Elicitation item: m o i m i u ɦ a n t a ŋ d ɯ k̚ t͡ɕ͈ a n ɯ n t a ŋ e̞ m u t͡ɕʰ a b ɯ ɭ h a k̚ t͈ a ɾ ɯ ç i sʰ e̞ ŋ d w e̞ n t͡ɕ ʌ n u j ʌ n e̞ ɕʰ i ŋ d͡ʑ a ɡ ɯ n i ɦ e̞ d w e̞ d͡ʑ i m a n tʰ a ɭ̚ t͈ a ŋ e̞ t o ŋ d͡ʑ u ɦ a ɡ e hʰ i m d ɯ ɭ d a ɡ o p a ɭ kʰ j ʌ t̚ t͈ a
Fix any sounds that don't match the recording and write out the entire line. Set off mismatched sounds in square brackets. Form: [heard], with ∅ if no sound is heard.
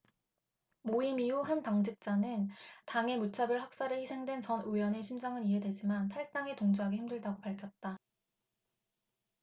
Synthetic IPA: m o i m i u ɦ a n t a ŋ [d͡ʑ] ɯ k̚ t͡ɕ͈ a n ɯ n t a ŋ e̞ m u t͡ɕʰ a b ɯ ɭ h a k̚ [s͈] a ɾ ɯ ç i sʰ e̞ ŋ d w e̞ n t͡ɕ ʌ n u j ʌ n e̞ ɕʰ i [m] d͡ʑ a [ŋ] ɯ n i ɦ e̞ d w e̞ d͡ʑ i m a n tʰ a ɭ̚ t͈ a ŋ e̞ t o ŋ d͡ʑ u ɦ a ɡ e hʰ i m d ɯ ɭ d a ɡ o p a ɭ kʰ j ʌ t̚ t͈ a